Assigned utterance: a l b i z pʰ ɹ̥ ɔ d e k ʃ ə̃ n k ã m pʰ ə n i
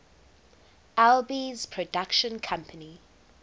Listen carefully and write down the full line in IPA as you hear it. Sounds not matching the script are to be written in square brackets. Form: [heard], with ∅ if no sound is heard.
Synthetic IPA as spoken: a l b i z pʰ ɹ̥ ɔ d [a] k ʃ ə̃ n [kʰ] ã m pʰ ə n i